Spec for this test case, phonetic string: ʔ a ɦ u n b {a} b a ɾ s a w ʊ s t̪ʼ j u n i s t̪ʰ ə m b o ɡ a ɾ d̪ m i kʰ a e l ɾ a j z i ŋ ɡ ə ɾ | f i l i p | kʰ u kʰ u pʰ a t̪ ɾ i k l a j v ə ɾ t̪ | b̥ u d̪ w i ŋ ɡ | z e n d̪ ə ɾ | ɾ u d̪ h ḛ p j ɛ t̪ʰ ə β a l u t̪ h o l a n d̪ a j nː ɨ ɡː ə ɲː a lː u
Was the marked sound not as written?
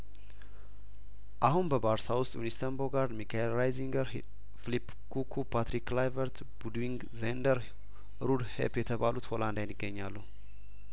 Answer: yes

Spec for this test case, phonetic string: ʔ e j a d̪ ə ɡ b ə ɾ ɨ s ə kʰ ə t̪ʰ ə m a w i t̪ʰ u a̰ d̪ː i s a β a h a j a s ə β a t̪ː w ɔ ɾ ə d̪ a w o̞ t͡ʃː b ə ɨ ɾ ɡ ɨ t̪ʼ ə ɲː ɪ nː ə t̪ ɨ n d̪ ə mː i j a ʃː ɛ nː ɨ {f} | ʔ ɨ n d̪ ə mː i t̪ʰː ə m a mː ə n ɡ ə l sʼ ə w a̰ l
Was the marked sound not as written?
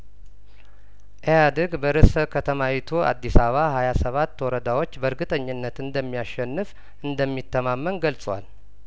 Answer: no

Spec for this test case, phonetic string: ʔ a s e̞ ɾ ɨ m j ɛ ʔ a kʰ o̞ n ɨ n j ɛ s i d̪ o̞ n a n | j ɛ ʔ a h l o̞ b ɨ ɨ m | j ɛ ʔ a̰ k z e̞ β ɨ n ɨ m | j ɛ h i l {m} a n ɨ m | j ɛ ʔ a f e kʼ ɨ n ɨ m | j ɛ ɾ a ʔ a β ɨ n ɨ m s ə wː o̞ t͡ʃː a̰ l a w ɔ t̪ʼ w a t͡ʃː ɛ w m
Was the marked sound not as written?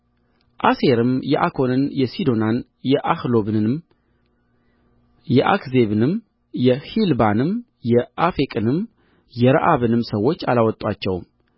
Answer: yes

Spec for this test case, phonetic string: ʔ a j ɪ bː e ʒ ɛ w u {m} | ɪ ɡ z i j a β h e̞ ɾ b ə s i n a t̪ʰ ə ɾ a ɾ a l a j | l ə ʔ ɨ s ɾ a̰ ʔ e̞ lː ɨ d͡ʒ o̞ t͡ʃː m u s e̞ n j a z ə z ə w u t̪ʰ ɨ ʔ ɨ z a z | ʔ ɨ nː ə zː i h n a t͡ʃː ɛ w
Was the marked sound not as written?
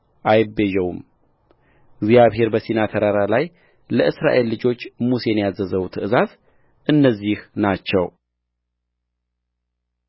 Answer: no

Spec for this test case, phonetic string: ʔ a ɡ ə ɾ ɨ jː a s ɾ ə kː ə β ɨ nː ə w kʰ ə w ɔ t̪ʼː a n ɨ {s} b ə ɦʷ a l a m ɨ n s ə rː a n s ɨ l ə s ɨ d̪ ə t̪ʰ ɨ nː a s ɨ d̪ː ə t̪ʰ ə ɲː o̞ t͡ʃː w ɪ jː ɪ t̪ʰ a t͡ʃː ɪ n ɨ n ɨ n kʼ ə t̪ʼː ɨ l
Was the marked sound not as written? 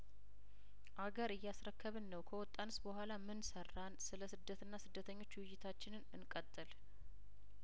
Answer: no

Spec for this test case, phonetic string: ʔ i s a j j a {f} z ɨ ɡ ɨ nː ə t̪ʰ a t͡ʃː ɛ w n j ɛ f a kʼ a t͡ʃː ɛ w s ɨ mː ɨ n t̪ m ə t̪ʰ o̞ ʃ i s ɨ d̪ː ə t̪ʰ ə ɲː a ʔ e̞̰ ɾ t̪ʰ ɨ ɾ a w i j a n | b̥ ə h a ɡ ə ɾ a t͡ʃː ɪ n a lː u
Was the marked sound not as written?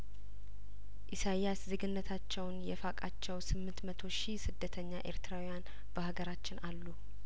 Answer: yes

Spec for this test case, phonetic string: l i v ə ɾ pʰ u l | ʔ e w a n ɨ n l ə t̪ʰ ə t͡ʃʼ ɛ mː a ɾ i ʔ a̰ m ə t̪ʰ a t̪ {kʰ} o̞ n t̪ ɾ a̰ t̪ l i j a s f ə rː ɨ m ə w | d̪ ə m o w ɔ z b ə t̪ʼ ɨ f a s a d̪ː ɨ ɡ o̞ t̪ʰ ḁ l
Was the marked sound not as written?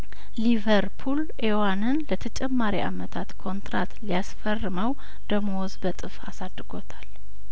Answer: no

